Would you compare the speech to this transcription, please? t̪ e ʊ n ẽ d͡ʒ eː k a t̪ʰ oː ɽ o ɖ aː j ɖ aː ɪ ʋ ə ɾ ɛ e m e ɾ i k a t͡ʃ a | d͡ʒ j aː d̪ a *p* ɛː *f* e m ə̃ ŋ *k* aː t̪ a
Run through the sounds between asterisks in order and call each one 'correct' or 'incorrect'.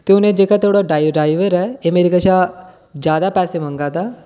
correct, incorrect: s, incorrect: ɡ

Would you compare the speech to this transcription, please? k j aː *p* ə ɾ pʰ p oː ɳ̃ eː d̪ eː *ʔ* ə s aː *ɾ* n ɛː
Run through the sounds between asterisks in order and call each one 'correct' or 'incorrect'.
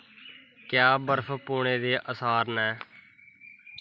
incorrect: b, correct, correct

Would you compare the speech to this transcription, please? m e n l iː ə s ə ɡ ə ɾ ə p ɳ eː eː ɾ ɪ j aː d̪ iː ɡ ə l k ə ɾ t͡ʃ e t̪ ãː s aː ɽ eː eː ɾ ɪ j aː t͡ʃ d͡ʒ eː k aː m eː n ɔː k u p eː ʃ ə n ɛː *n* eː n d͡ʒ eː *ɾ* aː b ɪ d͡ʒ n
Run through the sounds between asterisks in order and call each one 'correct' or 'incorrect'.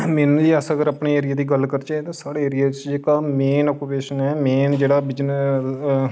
incorrect: m, incorrect: ɽ

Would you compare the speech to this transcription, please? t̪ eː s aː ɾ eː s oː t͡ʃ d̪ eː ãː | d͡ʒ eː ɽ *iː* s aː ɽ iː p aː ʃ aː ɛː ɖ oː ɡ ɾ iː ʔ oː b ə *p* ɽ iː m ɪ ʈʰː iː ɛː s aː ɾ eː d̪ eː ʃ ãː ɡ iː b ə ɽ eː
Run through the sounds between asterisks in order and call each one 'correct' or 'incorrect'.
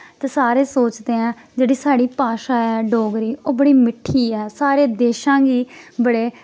correct, incorrect: none

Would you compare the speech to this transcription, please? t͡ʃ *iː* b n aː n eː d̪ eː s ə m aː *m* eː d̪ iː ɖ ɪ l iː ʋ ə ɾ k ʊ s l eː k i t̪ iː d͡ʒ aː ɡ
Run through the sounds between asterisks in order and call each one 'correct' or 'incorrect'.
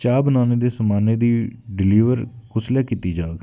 incorrect: aː, incorrect: n

